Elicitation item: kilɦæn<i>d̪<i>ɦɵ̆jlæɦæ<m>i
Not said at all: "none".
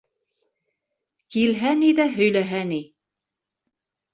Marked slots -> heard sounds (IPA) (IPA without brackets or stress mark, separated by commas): i, æ, n